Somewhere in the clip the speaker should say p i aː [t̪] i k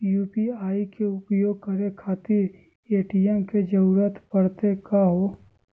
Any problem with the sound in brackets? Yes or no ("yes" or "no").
yes